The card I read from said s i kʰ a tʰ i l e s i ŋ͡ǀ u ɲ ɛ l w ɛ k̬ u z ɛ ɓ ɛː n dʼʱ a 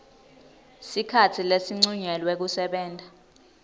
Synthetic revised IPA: s i kʰ a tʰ i l e s i ŋ͡ǀ u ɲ ɛ l w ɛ k̬ u s ɛ ɓ ɛː n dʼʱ a